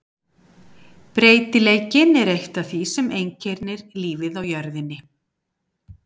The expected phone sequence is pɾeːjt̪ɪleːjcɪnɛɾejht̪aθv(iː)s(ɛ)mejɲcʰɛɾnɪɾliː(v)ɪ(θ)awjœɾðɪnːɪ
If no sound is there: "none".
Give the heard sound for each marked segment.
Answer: i, ɛ, v, ð

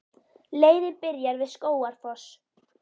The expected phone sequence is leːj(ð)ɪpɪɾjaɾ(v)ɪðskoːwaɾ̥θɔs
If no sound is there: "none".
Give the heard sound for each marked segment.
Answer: ð, v

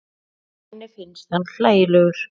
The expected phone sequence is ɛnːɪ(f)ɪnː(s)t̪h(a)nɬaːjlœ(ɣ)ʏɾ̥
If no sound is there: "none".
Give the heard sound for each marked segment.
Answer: f, s, a, ɣ

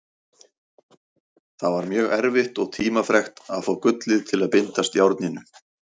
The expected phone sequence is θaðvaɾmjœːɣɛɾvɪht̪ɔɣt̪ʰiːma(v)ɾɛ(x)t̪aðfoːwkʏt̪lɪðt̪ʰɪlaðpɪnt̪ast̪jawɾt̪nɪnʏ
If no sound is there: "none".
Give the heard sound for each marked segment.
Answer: f, x

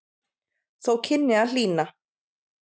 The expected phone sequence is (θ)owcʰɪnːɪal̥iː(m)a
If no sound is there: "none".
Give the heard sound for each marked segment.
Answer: θ, n

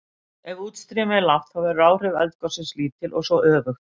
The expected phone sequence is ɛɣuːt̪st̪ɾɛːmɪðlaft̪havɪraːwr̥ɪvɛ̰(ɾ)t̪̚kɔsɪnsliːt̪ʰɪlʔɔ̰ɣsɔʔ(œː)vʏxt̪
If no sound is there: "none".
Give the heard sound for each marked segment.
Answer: l, œː

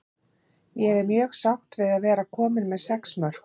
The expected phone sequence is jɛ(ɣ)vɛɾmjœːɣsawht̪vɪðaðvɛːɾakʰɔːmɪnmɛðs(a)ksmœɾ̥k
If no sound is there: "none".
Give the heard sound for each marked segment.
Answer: none, ɛ

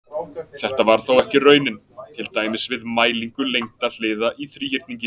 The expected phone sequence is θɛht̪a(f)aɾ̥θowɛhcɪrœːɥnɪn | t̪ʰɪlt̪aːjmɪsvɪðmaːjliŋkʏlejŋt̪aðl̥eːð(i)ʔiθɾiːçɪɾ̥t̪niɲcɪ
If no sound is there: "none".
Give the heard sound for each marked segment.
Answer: v, a

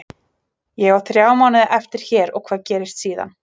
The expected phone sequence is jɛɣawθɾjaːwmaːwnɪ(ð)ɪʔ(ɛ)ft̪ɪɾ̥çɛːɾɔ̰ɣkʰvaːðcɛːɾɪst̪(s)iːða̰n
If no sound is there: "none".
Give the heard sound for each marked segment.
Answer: ð, ɛ, s

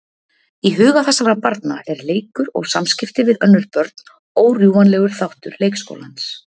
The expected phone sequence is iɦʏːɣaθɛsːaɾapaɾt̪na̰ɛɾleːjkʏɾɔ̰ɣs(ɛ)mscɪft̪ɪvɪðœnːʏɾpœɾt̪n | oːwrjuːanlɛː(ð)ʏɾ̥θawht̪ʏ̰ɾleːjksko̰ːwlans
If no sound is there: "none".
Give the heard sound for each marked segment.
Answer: a, ɣ

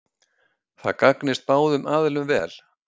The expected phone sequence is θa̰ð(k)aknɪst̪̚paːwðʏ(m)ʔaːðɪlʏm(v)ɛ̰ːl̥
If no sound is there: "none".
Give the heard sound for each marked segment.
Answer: k, m, v

